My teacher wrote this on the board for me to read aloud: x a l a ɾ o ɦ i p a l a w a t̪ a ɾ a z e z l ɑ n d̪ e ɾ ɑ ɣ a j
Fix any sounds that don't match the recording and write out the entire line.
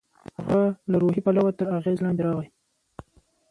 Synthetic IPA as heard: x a l a ɾ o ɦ i p a l a w a t̪ ə ɾ a ɣ e z l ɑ n d̪ e ɾ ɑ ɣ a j